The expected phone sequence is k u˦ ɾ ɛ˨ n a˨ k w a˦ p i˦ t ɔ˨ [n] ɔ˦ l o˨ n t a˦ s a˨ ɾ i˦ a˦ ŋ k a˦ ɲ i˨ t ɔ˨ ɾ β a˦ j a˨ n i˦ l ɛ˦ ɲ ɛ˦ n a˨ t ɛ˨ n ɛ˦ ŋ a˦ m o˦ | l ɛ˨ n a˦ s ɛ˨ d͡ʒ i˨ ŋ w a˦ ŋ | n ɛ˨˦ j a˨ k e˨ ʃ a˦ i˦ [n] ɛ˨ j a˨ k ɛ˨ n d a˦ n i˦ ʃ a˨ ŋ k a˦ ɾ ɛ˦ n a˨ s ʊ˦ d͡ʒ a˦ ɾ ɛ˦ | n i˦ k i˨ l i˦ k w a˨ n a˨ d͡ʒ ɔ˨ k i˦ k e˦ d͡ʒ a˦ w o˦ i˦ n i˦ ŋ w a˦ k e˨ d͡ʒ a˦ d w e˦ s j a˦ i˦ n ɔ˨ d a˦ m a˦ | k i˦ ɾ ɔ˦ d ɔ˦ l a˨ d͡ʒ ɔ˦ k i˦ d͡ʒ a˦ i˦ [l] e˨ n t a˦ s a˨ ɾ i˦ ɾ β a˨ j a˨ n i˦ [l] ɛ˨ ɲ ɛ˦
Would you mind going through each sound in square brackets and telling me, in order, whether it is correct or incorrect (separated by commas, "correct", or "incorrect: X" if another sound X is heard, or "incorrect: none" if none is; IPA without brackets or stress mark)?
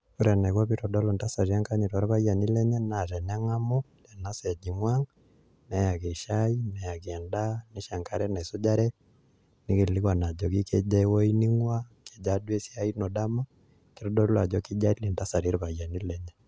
incorrect: d, correct, correct, correct